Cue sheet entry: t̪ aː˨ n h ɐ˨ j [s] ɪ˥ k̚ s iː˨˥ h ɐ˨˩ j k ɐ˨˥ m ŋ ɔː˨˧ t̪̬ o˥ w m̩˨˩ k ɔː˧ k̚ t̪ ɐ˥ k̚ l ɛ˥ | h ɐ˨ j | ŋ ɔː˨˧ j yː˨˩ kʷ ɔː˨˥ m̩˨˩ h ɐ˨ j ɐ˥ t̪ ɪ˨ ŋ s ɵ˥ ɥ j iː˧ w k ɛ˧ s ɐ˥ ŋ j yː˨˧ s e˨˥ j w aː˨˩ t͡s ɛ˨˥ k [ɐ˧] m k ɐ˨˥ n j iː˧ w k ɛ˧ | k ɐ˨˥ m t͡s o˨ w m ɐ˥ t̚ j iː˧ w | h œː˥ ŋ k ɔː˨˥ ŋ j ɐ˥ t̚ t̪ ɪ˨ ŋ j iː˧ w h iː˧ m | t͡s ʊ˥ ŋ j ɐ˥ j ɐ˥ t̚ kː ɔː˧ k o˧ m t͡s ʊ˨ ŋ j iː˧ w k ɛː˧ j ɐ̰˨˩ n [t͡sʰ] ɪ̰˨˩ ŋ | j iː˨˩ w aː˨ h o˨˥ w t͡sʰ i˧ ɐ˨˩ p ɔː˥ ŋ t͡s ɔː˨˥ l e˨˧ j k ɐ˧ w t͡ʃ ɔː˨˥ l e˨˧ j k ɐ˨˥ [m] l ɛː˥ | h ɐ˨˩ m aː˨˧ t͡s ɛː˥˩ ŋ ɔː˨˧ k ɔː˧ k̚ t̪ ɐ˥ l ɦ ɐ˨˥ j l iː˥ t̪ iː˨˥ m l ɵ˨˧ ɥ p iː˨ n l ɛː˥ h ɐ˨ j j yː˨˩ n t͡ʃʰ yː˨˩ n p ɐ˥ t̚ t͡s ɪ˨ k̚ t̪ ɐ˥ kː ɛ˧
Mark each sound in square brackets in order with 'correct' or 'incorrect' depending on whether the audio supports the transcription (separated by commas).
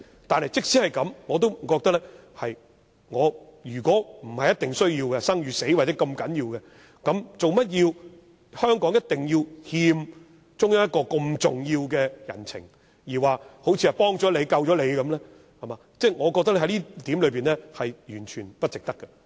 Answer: incorrect, correct, correct, correct